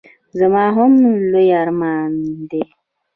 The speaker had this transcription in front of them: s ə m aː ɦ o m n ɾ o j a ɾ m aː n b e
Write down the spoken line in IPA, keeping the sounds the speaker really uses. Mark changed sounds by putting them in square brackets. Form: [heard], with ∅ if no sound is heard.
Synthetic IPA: [z] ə m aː ɦ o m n [l] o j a ɾ m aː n [d] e